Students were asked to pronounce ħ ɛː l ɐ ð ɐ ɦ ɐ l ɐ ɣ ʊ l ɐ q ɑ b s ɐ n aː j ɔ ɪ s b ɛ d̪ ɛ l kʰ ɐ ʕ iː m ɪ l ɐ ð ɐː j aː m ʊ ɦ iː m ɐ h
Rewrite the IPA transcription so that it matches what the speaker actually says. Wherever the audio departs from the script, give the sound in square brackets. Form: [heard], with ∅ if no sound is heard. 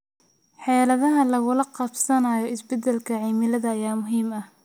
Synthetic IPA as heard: ħ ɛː l ɐ ð ɐ ɦ ɐ l ɐ ɣ ʊ l ɐ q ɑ b s ɐ n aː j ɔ ɪ s b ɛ d̪ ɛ l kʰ ɐ ʕ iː m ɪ l ɐ ð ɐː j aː m ʊ ɦ iː m ɐ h